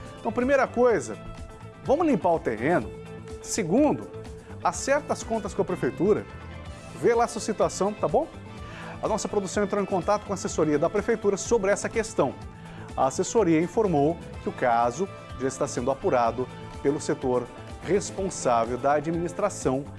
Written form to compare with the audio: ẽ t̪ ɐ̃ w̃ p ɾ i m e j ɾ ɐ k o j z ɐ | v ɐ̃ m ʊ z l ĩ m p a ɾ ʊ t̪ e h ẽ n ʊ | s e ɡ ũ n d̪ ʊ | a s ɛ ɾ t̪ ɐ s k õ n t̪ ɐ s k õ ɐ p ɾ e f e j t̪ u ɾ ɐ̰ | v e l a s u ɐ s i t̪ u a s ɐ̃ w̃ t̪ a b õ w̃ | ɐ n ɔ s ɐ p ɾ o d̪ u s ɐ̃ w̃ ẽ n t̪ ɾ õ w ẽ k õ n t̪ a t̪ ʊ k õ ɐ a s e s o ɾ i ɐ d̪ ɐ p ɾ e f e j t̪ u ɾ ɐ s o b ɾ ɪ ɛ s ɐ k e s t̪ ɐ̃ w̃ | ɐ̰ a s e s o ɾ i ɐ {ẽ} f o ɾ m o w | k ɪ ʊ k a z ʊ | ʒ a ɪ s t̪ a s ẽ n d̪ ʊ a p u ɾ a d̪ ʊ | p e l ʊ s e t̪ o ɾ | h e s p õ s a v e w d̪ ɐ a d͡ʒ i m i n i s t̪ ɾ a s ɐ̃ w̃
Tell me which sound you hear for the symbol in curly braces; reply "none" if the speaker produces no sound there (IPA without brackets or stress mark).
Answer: ĩ